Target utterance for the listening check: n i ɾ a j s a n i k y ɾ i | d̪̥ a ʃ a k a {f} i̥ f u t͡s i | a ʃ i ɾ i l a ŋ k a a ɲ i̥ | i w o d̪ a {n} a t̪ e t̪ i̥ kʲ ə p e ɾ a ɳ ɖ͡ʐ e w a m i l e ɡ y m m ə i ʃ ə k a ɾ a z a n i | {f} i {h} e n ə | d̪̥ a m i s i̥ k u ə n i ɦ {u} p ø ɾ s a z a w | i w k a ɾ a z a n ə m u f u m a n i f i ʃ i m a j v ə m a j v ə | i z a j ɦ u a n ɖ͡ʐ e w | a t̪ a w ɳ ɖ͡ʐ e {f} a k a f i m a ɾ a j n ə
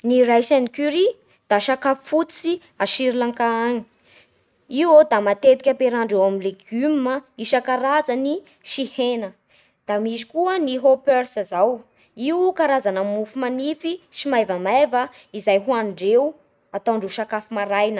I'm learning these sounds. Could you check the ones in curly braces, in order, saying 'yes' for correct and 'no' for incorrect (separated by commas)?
yes, no, no, yes, no, no